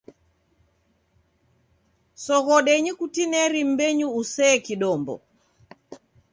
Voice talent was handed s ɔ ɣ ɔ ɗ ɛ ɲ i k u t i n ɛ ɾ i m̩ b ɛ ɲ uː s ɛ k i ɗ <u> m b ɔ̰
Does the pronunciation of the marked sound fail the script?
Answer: yes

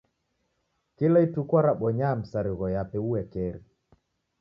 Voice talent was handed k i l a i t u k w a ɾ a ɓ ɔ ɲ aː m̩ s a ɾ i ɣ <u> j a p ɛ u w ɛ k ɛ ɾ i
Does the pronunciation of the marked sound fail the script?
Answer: yes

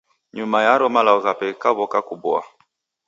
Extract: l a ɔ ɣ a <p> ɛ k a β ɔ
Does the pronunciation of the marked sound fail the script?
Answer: no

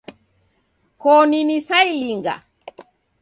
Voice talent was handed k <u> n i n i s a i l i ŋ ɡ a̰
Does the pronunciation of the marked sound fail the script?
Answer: yes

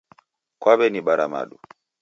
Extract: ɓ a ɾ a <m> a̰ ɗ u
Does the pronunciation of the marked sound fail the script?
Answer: no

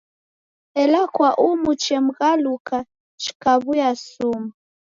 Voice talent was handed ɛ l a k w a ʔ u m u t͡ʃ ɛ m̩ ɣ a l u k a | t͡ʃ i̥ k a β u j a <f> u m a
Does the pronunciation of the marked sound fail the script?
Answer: yes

